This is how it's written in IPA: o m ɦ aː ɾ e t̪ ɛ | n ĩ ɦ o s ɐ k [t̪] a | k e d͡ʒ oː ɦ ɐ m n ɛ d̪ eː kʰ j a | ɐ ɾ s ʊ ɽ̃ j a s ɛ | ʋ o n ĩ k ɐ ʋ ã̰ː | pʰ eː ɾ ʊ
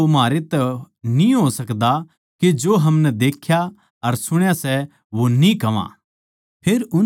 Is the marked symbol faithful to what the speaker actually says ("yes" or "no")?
no